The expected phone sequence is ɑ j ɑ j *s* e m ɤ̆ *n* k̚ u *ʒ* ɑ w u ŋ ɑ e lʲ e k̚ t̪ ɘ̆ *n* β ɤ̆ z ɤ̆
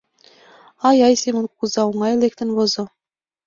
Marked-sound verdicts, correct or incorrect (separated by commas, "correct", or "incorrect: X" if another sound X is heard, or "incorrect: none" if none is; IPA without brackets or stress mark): correct, correct, incorrect: z, correct